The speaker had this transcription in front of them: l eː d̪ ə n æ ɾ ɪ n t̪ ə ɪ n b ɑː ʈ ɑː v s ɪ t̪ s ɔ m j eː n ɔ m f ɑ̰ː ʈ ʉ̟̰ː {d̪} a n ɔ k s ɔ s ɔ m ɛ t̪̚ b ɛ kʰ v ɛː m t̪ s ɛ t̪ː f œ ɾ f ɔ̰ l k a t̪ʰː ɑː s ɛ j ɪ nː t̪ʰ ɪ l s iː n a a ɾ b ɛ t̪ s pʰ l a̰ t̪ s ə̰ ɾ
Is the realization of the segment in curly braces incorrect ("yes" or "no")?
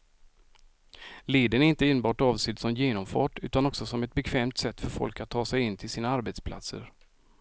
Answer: yes